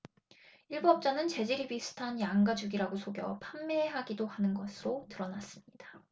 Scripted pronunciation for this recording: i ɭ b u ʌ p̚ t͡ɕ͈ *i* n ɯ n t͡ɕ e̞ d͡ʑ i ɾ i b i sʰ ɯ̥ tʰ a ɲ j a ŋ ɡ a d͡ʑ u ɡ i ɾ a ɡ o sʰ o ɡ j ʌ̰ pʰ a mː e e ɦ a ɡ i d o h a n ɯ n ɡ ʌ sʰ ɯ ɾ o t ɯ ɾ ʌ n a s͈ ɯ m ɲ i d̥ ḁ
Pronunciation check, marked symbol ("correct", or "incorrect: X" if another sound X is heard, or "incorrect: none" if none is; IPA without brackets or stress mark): incorrect: a